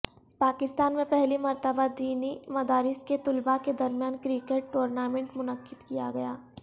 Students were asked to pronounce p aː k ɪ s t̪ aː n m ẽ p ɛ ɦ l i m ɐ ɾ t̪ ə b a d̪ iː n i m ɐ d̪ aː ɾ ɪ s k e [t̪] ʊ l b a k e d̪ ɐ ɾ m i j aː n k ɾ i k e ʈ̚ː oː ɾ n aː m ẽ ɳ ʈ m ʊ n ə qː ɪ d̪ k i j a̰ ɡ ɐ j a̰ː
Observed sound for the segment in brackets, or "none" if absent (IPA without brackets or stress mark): t̪